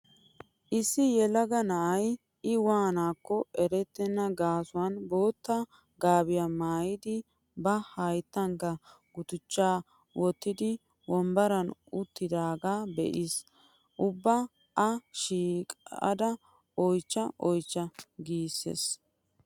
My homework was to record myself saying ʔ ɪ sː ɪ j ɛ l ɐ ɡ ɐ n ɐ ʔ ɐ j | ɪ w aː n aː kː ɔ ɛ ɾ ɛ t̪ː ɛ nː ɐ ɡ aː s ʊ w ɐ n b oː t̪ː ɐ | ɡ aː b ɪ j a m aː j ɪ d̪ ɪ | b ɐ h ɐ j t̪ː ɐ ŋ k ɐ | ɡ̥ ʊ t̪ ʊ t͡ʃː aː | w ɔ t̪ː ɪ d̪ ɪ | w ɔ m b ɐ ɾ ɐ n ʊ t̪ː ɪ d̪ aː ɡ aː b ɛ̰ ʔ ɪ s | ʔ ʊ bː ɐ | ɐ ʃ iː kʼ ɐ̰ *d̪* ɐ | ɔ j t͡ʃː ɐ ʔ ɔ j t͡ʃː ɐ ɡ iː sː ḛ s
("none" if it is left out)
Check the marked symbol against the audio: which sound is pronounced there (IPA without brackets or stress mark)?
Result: d̪